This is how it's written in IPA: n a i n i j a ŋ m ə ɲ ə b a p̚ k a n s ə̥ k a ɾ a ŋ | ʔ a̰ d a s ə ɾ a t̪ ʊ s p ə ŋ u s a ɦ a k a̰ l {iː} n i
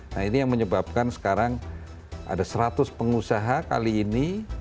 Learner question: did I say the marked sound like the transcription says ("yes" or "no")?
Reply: yes